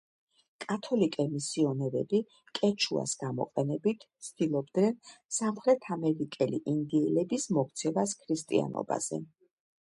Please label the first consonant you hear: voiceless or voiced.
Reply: voiceless